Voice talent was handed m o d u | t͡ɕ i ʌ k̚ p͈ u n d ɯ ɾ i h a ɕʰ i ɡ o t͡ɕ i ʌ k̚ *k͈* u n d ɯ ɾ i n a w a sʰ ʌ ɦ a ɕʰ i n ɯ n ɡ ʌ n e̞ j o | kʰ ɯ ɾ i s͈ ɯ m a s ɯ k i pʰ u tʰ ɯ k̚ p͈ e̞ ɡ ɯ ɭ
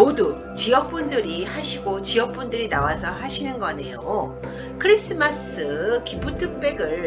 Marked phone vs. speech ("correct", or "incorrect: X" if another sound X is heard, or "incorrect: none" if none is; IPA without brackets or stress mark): incorrect: p͈